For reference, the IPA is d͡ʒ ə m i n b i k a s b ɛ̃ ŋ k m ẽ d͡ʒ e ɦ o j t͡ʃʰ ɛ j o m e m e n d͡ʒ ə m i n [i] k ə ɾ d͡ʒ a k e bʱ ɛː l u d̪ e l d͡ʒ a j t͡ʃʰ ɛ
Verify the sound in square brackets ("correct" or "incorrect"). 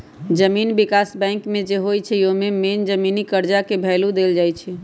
correct